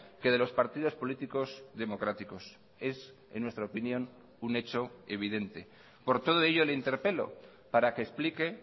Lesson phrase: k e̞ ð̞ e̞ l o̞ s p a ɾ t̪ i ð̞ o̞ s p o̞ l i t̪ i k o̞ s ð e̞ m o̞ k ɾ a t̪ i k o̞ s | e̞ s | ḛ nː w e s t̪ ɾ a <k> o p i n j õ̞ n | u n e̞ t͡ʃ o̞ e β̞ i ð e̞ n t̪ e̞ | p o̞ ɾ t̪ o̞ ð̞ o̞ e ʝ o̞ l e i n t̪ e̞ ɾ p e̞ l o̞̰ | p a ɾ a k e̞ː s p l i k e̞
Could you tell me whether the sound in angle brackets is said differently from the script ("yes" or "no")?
yes